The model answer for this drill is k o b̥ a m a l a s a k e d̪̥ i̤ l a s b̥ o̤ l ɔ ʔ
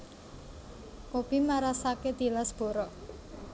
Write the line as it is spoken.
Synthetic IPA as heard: k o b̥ i m a ɾ a s a k e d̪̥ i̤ l a s b̥ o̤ ɾ ɔ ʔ